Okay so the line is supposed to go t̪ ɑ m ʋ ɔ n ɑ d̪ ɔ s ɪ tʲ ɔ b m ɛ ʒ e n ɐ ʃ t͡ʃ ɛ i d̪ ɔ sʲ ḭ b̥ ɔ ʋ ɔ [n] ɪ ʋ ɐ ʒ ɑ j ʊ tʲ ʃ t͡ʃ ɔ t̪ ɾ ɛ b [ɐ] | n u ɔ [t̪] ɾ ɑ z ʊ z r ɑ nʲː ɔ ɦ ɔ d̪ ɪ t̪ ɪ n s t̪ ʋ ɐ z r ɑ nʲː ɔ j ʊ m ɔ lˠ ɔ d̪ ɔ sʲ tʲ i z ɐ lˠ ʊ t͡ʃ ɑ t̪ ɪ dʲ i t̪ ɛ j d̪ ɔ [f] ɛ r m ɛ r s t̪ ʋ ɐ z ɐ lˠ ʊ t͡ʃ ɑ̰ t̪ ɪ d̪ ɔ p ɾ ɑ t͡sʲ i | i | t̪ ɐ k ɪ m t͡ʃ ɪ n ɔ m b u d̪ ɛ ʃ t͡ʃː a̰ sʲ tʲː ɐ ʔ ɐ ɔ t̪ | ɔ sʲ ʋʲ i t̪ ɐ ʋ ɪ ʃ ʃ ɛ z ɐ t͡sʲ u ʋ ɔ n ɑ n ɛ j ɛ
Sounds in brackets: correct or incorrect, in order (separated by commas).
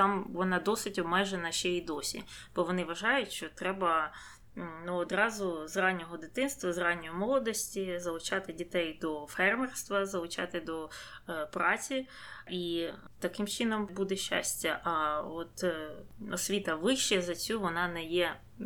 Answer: correct, correct, incorrect, correct